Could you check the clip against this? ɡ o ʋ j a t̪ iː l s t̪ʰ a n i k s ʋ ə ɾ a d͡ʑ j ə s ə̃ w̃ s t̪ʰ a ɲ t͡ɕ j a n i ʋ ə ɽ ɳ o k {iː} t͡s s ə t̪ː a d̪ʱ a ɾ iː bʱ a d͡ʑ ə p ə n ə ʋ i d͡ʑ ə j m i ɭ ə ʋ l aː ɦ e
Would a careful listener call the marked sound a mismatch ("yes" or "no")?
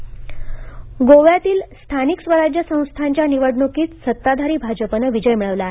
no